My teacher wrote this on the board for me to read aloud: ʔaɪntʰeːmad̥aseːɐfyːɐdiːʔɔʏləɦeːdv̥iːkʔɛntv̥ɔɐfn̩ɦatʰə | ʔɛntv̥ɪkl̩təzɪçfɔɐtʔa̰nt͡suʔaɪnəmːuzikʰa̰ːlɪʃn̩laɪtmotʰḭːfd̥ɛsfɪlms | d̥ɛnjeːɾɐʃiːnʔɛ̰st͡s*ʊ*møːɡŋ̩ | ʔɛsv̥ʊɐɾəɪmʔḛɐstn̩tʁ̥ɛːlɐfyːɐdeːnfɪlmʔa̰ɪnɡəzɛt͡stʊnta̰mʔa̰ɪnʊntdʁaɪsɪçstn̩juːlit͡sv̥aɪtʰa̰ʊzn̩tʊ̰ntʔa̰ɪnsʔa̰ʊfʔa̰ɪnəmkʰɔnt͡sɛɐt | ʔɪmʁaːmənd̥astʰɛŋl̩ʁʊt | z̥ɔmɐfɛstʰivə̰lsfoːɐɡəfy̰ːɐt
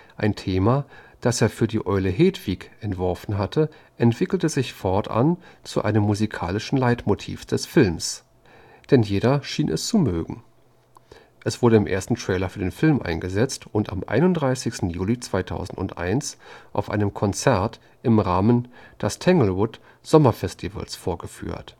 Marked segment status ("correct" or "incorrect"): incorrect